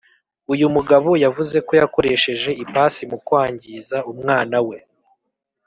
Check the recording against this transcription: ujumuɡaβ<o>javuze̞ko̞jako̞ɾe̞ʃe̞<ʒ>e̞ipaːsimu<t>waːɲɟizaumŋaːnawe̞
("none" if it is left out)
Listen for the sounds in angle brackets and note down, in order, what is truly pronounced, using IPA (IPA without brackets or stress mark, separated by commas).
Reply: o, ʒ, k